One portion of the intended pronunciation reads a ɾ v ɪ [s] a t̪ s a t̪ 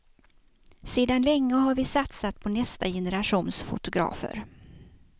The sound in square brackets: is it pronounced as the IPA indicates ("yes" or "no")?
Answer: yes